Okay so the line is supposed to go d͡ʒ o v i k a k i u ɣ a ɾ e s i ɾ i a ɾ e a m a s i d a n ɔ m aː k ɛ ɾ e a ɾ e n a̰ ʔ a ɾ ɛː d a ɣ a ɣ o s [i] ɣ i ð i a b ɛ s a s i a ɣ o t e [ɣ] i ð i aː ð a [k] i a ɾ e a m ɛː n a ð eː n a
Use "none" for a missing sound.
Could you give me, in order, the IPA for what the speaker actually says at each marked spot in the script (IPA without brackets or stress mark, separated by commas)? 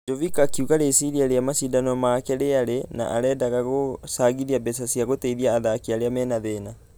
a, none, k